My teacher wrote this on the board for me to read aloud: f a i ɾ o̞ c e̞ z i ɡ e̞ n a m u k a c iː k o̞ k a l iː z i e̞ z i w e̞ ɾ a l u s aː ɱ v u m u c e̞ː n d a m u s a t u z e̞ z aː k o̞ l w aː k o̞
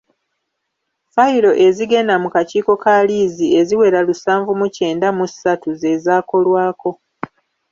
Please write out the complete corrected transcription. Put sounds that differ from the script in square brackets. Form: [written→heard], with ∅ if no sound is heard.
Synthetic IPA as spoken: f a i ɾ o̞ [c→ʔ] e̞ z i ɡ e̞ n a m u k a c iː k o̞ k a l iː z i e̞ z i w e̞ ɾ a l u s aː ɱ v u m u c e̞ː n d a m u s a t u z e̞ z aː k o̞ l w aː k o̞